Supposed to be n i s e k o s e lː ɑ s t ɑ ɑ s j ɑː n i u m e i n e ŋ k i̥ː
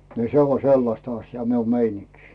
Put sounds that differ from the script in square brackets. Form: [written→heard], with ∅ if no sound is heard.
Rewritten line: n i s e [k→∅] o s e lː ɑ s t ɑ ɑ s j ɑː [n→m] i u m e i n [e→i] ŋ k [i̥ː→i̥]